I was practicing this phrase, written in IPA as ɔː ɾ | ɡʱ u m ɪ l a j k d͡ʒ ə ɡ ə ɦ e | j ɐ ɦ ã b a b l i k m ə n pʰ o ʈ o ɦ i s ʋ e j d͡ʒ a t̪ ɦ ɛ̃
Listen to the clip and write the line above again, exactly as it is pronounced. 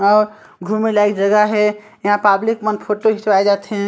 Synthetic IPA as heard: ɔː ɾ | ɡʱ u m i l a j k d͡ʒ ə ɡ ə ɦ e | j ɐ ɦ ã p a b l i k m ə n pʰ o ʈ o ɦ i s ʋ a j d͡ʒ a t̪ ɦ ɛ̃